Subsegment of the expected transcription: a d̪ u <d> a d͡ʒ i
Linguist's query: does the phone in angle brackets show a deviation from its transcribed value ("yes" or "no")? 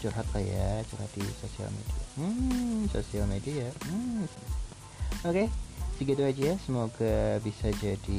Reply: yes